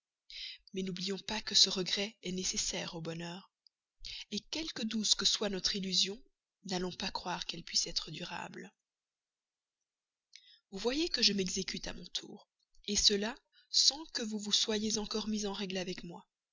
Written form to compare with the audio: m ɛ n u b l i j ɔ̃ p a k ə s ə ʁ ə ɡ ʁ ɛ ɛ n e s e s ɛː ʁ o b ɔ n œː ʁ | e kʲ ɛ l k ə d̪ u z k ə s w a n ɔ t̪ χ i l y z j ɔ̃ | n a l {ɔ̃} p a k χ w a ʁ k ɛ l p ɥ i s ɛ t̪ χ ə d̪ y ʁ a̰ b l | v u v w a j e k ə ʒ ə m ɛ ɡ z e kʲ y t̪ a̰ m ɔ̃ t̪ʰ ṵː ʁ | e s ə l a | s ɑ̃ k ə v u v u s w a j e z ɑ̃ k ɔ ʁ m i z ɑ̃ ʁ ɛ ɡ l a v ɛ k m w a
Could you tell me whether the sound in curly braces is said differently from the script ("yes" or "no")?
no